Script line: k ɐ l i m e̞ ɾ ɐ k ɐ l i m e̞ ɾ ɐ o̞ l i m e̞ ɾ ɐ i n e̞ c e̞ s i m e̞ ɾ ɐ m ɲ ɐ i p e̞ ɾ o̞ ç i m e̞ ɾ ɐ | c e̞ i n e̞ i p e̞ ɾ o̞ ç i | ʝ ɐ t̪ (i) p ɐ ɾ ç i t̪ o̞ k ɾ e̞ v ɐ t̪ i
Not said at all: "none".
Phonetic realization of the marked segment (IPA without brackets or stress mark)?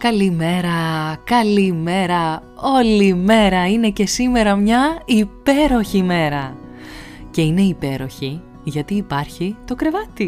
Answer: iː